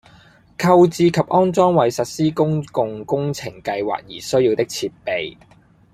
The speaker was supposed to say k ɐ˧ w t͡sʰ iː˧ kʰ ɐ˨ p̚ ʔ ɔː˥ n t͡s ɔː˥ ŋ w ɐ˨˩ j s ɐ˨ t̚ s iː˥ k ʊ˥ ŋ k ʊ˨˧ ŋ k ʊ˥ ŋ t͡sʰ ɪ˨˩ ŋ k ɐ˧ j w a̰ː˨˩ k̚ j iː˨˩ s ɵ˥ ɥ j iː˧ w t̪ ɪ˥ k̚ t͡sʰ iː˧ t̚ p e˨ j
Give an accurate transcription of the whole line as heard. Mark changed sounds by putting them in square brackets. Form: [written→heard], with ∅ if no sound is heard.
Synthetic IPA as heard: [k→kʰ] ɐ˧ w [t͡sʰ→t͡s] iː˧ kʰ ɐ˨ p̚ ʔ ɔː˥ n t͡s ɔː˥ ŋ w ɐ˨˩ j s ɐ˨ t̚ s iː˥ k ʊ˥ ŋ k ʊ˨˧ ŋ k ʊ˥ ŋ t͡sʰ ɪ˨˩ ŋ k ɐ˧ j w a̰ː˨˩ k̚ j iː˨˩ s ɵ˥ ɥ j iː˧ w t̪ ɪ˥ k̚ t͡sʰ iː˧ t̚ p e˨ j

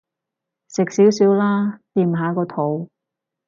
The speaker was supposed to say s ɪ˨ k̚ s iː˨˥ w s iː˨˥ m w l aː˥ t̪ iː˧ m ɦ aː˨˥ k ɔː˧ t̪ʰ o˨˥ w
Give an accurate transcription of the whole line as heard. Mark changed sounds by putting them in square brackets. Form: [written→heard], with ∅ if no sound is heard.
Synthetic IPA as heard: s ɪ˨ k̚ s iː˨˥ w s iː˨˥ [m→∅] w l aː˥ t̪ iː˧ m ɦ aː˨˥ k ɔː˧ t̪ʰ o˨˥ w

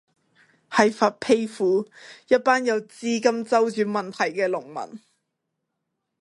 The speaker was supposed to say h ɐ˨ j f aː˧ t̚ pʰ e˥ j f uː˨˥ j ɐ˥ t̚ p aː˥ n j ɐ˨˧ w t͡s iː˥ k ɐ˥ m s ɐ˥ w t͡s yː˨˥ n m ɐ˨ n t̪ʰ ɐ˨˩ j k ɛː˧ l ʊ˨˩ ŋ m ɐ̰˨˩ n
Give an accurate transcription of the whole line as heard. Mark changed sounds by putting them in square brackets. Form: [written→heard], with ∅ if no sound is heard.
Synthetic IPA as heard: h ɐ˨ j f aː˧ t̚ pʰ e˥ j f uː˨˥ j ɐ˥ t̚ p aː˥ n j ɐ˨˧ w t͡s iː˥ k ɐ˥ m [s→t͡s] ɐ˥ w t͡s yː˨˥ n m ɐ˨ n t̪ʰ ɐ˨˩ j k ɛː˧ l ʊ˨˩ ŋ m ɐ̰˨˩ n

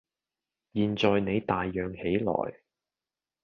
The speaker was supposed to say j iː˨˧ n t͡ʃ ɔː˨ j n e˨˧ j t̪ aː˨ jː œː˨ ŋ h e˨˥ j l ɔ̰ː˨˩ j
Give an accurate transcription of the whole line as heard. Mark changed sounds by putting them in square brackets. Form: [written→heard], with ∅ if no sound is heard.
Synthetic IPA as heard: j iː˨˧ n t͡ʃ ɔː˨ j n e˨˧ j t̪ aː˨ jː œː˨ ŋ h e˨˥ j l ɔ̰ː˨˩ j

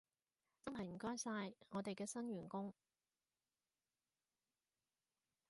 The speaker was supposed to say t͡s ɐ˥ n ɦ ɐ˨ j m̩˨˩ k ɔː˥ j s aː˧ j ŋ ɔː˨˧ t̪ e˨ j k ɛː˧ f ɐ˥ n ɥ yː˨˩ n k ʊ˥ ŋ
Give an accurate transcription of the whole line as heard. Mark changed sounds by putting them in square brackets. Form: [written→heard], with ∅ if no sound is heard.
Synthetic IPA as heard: t͡s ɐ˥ n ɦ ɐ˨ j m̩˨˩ k ɔː˥ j s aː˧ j ŋ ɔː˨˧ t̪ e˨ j k ɛː˧ [f→s] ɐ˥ n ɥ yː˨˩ n k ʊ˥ ŋ

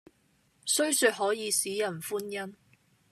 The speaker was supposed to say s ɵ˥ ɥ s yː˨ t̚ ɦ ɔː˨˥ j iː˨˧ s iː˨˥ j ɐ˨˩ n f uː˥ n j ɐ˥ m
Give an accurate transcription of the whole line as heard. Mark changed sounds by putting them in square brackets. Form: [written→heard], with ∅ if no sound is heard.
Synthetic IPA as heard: s ɵ˥ ɥ s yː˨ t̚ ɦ ɔː˨˥ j iː˨˧ s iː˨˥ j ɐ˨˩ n f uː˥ n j ɐ˥ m

